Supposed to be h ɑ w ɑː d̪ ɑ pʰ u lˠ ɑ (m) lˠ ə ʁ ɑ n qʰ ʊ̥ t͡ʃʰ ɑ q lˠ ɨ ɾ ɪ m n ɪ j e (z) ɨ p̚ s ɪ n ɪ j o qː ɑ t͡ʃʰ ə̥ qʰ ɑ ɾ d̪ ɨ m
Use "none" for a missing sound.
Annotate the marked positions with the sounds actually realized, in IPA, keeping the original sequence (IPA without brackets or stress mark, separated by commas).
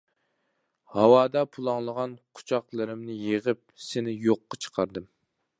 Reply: ŋ, ʁ